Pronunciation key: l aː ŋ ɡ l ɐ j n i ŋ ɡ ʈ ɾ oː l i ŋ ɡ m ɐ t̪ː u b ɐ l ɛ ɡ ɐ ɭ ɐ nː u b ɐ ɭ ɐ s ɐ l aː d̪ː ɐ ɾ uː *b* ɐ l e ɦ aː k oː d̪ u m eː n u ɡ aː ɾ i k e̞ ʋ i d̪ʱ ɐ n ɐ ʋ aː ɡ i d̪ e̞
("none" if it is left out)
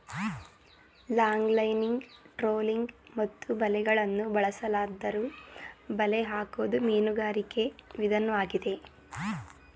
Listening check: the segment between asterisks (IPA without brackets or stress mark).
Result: b